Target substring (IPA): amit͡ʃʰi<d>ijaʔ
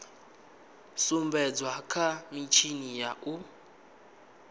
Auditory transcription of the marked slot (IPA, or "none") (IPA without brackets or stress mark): n